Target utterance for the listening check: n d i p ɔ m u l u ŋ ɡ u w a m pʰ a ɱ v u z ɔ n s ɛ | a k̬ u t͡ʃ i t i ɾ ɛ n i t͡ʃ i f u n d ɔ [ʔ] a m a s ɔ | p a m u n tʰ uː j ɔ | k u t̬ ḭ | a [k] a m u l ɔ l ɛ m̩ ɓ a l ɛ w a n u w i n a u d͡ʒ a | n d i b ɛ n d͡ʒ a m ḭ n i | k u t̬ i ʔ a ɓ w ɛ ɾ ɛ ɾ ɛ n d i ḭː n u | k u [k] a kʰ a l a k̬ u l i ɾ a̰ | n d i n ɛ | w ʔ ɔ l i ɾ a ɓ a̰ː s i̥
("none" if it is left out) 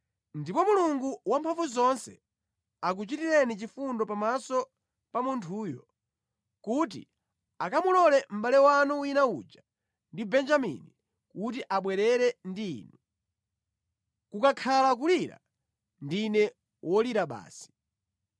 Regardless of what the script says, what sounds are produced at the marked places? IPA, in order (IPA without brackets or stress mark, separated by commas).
p, k, k